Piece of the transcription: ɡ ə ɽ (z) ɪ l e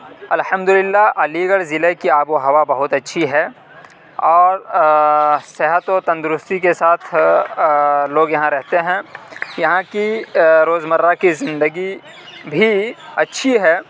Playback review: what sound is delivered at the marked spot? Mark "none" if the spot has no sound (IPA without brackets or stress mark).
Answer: z